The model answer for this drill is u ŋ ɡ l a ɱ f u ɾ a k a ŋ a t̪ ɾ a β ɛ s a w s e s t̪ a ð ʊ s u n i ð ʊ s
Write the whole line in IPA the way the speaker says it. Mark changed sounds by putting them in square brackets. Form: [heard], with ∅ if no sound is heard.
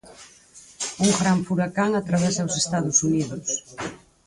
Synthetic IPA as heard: u ŋ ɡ [ɾ] a ɱ f u ɾ a k a ŋ a t̪ ɾ a β ɛ s a w s e s t̪ a ð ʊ s u n i ð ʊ s